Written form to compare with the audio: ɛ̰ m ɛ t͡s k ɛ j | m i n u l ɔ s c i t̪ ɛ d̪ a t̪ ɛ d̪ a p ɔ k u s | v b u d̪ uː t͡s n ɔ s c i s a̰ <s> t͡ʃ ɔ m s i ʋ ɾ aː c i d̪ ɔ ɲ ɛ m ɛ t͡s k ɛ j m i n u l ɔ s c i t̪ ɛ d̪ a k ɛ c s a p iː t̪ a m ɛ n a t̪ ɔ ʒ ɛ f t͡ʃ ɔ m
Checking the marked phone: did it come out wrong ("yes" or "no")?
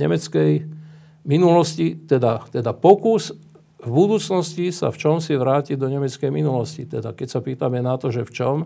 yes